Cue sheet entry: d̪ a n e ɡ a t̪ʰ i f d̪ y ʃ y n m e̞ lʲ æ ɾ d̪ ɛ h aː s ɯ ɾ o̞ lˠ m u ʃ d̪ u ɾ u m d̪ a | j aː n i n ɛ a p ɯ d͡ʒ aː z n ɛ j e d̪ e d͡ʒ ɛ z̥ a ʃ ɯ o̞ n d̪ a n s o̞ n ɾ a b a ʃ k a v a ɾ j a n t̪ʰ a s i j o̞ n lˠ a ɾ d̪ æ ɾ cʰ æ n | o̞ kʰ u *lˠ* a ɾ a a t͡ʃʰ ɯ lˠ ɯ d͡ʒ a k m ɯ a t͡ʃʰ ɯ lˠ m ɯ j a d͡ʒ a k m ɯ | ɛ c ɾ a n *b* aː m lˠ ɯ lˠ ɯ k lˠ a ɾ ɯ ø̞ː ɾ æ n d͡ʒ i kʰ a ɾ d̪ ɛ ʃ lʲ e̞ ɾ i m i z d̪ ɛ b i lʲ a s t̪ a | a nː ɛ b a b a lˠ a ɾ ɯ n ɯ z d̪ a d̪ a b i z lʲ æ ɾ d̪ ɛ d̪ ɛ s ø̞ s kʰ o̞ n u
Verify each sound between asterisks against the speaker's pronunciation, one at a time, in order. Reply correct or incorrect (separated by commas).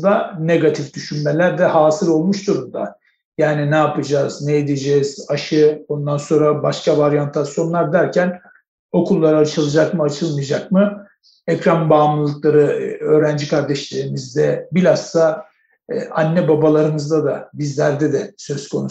incorrect, correct